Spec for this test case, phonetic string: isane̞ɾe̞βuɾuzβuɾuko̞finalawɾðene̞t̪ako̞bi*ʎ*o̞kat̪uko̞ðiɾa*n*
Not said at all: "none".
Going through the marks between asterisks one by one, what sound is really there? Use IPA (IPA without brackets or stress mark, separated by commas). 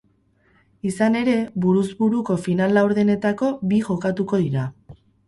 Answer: ʝ, none